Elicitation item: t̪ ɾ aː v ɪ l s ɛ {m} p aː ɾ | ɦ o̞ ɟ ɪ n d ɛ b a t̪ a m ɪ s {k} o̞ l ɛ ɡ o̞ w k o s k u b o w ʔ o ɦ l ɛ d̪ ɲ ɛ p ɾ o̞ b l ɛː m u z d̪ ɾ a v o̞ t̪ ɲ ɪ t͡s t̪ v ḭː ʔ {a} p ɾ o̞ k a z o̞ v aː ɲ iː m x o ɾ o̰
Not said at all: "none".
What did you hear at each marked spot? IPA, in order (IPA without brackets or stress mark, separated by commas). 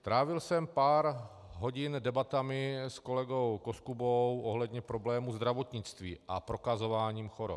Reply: m, k, a